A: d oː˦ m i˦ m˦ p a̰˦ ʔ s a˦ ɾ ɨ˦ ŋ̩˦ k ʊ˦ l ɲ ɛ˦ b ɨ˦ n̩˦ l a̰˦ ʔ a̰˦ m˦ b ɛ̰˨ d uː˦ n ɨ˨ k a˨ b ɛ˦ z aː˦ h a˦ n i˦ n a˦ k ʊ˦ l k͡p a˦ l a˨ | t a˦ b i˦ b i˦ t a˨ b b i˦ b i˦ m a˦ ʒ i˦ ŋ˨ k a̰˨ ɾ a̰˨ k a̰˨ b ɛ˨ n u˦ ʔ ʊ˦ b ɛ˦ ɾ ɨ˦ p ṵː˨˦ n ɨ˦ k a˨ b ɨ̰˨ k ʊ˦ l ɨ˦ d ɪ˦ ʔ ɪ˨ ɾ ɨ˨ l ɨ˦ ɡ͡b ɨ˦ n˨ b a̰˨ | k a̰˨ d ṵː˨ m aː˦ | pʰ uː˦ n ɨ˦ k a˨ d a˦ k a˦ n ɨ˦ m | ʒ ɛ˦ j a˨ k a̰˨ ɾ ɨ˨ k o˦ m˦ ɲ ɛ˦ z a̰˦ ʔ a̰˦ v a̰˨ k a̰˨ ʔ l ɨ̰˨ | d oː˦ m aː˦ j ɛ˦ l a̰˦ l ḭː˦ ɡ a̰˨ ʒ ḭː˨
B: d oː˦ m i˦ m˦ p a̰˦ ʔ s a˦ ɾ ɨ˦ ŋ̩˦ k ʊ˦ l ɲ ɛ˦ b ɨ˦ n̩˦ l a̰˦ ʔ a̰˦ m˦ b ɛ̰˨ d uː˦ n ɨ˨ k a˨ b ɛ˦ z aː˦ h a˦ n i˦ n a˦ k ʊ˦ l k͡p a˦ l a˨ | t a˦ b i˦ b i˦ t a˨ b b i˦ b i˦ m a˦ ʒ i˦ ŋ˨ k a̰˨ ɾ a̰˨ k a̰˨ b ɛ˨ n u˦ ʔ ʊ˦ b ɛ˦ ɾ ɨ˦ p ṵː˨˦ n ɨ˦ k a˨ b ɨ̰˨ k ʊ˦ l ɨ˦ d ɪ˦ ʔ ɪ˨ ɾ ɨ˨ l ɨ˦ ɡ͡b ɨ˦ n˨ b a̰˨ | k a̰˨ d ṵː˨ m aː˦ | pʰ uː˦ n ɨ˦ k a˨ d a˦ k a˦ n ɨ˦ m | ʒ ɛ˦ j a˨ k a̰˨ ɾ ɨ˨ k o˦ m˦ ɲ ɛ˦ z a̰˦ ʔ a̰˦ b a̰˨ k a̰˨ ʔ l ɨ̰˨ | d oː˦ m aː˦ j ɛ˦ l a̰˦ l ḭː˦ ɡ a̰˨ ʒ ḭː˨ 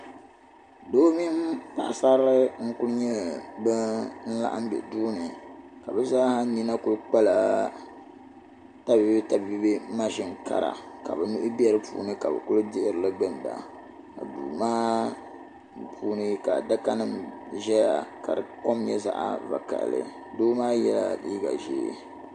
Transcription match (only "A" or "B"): A